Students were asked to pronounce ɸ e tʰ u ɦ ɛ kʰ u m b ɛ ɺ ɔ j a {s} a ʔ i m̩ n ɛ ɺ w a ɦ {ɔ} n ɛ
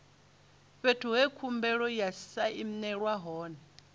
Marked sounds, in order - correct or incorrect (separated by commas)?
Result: correct, incorrect